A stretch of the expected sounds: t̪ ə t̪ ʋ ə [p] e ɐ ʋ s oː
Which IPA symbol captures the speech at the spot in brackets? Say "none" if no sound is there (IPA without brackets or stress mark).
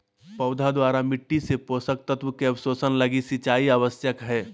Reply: k